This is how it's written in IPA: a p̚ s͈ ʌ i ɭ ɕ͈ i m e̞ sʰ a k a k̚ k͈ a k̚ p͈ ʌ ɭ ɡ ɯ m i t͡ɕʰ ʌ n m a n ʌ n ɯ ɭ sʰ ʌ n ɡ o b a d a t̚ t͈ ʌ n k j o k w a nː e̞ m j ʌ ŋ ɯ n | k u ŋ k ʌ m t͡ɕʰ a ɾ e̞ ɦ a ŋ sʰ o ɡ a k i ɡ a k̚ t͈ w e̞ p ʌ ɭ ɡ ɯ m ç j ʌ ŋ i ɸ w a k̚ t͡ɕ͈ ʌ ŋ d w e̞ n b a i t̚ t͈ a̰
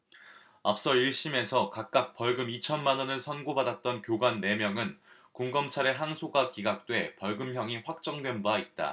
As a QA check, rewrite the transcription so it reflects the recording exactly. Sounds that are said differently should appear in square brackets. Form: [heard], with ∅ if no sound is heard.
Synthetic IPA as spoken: a p̚ s͈ ʌ i ɭ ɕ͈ i m e̞ sʰ [ʌ] k a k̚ k͈ a k̚ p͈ ʌ ɭ ɡ ɯ m i t͡ɕʰ ʌ n m a n ʌ n ɯ ɭ sʰ ʌ n ɡ o b a d a t̚ t͈ ʌ n k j o [ɡ] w a nː e̞ m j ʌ ŋ ɯ n | k u ŋ [ɡ] ʌ m t͡ɕʰ a ɾ e̞ ɦ a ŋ sʰ o ɡ a k i ɡ a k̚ t͈ w e̞ p ʌ ɭ ɡ ɯ m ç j ʌ ŋ i ɸ w a k̚ t͡ɕ͈ ʌ ŋ d w e̞ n b a i t̚ t͈ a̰